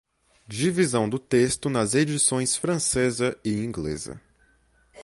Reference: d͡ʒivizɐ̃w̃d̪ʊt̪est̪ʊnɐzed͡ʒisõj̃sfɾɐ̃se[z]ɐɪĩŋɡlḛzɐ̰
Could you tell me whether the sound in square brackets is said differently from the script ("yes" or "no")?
no